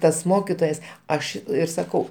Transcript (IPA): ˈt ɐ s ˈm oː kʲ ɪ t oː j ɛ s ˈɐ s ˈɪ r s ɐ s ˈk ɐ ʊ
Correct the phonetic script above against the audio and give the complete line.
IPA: ˈt ɐ s ˈm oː kʲ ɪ t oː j ɛ s ˈɐ ʃ ˈɪ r s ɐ ˈk ɐ ʊ